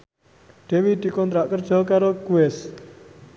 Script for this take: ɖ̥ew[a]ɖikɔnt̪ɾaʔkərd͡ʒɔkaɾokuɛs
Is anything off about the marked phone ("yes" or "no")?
yes